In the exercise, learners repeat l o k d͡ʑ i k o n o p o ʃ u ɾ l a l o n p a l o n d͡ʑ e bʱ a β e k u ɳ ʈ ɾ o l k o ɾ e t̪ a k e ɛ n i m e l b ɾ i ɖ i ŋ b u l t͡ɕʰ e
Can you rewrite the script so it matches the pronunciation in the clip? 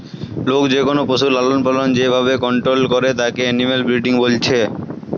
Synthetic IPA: l o k d͡ʑ e k o n o p o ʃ u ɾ l a l o n p a l o n d͡ʑ e bʱ a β e k ɔ ɳ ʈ ɾ o l k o ɾ e t̪ a k e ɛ n i m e l b ɾ i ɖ i ŋ b o l t͡ɕʰ e